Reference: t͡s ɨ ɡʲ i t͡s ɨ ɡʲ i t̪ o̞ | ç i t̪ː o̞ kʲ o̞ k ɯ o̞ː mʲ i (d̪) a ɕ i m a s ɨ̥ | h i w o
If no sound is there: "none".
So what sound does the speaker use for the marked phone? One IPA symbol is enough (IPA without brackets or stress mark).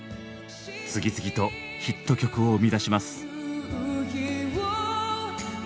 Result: d̪